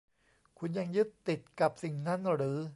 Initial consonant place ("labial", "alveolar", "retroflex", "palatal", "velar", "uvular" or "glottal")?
velar